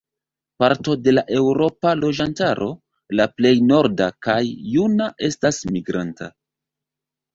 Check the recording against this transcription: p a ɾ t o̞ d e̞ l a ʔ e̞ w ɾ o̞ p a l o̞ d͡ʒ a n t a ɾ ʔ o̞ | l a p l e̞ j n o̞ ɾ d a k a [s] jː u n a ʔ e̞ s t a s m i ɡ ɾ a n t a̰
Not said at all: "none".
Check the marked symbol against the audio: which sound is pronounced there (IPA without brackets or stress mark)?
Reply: none